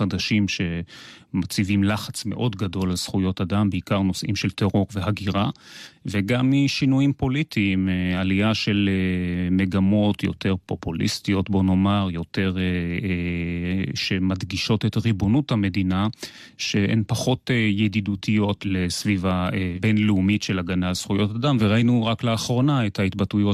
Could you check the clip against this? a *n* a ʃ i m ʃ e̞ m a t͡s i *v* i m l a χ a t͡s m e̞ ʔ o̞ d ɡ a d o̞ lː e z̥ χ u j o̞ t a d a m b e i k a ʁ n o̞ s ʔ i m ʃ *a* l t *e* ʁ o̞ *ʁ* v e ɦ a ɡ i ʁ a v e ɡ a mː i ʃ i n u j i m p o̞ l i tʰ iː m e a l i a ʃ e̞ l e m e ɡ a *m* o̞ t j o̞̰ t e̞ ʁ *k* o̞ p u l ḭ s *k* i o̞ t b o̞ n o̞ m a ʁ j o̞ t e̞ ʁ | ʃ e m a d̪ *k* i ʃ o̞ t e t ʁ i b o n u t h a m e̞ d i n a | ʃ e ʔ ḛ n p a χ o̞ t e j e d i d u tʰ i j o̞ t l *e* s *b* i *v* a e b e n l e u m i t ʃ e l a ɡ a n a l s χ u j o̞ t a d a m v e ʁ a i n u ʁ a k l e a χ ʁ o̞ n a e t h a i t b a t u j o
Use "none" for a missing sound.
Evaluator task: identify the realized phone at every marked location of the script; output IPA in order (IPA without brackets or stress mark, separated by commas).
d, v, e, e, ʁ, m, p, t, ɡ, e, v, v